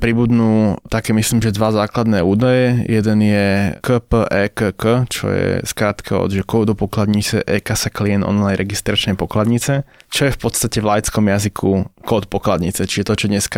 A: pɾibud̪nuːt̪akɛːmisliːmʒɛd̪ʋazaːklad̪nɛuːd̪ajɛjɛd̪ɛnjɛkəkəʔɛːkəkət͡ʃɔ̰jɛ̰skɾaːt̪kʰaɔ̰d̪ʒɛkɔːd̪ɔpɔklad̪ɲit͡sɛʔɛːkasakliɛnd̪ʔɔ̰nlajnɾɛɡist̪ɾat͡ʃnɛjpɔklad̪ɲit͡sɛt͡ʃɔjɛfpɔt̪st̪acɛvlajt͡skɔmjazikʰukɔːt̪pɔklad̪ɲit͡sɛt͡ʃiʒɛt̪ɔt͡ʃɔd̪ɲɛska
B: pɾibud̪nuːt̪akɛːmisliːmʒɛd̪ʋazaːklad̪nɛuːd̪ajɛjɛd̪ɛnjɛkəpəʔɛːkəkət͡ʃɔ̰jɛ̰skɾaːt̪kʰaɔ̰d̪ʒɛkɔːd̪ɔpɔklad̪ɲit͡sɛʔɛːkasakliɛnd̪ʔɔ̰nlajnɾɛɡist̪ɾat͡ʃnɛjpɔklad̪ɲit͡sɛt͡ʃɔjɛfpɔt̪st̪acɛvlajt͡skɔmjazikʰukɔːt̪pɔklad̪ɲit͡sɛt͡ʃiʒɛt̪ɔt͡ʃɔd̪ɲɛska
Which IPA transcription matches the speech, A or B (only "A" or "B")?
B